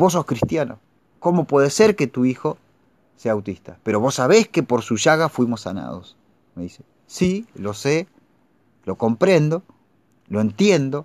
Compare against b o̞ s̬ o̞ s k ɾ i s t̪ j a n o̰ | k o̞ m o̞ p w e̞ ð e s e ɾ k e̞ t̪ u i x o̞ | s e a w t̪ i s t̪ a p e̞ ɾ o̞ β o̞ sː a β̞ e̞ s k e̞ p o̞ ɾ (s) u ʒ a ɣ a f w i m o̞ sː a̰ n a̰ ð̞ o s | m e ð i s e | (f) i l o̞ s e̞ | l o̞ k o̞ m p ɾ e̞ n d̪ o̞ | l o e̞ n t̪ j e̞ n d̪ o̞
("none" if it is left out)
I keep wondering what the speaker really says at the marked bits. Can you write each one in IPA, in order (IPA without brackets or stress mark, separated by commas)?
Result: s, s